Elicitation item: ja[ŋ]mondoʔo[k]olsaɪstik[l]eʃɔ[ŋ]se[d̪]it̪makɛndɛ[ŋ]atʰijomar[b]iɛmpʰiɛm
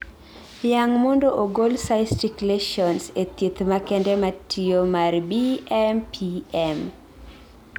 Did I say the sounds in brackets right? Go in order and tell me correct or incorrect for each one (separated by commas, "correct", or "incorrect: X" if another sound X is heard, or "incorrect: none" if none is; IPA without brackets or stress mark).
correct, incorrect: ɡ, correct, incorrect: n, incorrect: t̪, incorrect: m, correct